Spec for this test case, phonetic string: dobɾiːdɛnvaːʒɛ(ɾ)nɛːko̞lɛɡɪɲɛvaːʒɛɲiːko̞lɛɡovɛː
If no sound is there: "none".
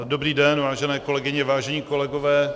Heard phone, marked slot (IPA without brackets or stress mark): none